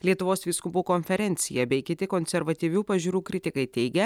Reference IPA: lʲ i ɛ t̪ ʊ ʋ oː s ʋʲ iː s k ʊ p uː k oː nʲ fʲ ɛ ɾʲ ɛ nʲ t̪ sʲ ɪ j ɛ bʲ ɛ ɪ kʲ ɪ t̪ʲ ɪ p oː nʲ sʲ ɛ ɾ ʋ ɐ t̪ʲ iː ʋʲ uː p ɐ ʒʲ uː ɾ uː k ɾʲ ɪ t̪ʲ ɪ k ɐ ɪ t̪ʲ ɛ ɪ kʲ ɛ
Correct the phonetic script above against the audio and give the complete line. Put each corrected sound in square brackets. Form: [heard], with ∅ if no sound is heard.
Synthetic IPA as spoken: lʲ i ɛ t̪ ʊ ʋ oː s ʋʲ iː s k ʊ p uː k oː nʲ fʲ ɛ ɾʲ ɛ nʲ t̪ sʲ ɪ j ɛ bʲ ɛ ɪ kʲ ɪ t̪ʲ ɪ [k] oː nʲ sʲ ɛ ɾ ʋ ɐ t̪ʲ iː ʋʲ uː p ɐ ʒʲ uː ɾ uː k ɾʲ ɪ t̪ʲ ɪ k ɐ ɪ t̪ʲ ɛ ɪ [ɡʲ] ɛ